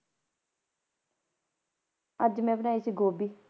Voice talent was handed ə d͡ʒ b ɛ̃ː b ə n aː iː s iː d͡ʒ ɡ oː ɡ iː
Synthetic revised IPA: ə d͡ʒ m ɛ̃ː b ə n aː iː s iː ɡ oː b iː